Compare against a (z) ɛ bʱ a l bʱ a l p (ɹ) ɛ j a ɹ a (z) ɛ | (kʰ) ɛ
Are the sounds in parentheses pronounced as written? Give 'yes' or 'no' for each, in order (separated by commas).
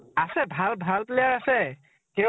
no, no, no, no